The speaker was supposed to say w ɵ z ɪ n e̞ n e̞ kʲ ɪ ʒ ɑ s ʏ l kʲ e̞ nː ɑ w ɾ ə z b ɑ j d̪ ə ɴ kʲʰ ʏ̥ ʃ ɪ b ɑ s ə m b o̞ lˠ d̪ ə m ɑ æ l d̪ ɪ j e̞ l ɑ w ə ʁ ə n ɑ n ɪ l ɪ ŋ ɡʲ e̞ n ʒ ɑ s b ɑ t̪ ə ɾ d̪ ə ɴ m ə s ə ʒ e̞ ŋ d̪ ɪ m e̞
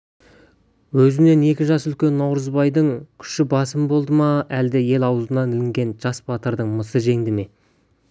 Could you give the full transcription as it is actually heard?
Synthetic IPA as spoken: w ɵ z ɪ n e̞ n e̞ kʲ ɪ ʒ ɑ s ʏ l kʲ e̞ nː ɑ w ɾ ə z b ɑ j d̪ ə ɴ kʲʰ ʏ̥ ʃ ɪ b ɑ s ə m b o̞ lˠ d̪ ə m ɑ æ l d̪ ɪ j e̞ l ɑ w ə z ə n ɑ n ɪ l ɪ ŋ ɡʲ e̞ n ʒ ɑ s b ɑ t̪ ə ɾ d̪ ə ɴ m ə s ə ʒ e̞ ŋ d̪ ɪ m e̞